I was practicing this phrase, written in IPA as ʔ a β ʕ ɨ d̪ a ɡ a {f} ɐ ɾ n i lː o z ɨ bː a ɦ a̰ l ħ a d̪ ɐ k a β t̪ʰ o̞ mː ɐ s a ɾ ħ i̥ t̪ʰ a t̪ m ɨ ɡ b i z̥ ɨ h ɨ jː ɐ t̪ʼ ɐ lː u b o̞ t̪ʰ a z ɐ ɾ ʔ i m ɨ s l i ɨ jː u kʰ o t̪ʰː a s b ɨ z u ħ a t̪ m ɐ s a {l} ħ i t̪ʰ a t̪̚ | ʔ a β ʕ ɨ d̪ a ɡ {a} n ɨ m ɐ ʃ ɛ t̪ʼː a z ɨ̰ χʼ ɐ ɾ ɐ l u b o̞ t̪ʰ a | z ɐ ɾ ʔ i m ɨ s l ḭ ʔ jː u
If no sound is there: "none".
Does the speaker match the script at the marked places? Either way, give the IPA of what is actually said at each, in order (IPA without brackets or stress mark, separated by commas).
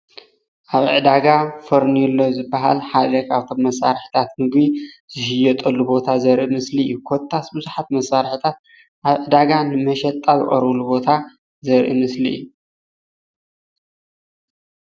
f, ɾ, a